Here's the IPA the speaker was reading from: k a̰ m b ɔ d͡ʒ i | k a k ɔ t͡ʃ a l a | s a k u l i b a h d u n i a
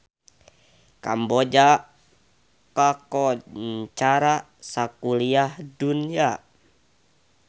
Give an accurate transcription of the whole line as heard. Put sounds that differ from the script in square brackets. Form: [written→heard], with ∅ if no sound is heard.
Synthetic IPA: k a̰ m b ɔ d͡ʒ [i→a] | k a k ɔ t͡ʃ a [l→ɾ] a | s a k u l i [b→∅] a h d u n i a